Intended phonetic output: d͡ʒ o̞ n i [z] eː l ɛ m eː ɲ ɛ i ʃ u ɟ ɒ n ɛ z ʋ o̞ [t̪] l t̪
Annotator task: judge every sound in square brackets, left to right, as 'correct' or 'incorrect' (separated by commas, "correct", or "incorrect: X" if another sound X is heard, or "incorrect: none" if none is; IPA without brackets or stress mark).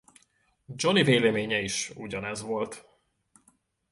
incorrect: v, incorrect: none